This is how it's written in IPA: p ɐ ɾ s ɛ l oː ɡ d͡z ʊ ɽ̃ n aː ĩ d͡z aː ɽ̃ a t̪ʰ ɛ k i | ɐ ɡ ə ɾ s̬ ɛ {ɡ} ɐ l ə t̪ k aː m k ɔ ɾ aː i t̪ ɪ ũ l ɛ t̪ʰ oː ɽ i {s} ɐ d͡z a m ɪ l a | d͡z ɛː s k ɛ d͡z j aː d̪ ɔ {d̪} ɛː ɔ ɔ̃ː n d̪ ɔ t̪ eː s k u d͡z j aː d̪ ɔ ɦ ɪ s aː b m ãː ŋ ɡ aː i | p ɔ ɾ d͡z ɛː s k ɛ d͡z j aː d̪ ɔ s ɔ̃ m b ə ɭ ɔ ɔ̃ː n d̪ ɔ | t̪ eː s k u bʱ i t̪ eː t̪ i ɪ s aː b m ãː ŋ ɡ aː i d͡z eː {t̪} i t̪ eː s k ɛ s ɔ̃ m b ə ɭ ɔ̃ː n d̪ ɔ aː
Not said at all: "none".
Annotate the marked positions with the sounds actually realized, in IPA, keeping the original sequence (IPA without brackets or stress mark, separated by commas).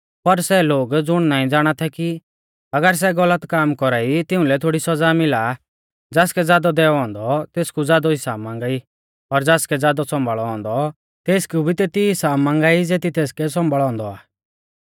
ɡ, s, d̪, t̪